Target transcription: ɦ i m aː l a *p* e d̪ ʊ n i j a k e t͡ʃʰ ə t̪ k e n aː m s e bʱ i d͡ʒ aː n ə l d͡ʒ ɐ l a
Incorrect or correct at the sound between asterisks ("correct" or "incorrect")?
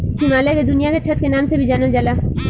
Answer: incorrect